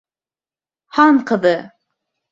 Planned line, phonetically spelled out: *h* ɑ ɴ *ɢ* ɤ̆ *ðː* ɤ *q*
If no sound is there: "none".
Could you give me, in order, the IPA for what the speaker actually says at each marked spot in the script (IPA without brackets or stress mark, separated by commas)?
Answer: h, q, ð, none